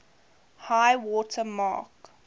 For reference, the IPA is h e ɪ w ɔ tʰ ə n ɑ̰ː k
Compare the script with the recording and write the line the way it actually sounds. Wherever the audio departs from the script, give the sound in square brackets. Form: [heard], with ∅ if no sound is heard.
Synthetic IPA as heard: h [a] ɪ w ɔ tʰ ə [m] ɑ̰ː k

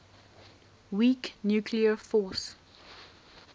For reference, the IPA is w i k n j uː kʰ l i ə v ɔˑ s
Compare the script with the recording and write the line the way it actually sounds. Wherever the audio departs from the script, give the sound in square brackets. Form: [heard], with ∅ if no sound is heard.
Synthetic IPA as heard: w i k n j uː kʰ l i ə [f] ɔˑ s

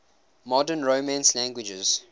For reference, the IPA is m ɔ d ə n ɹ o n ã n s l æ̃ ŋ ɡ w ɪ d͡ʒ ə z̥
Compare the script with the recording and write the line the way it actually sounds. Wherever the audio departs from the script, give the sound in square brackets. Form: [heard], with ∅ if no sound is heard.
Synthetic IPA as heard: m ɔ d ə n ɹ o [m] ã n s l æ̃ ŋ ɡ w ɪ d͡ʒ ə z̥

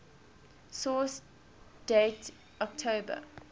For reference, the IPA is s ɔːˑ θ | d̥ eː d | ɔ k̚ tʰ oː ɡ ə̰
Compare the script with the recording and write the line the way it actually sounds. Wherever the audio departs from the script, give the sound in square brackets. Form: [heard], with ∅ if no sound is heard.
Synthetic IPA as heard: s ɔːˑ [s] | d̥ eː [t] | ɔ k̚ tʰ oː [b] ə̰

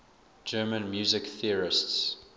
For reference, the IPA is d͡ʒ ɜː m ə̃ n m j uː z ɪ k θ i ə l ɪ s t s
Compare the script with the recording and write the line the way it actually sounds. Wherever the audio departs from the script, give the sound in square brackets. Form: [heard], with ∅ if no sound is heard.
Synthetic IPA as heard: d͡ʒ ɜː m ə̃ n m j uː z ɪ k θ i ə [ɹ] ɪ s t s

